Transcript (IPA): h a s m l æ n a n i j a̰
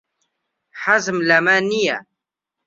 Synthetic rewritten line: ħ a z m l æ m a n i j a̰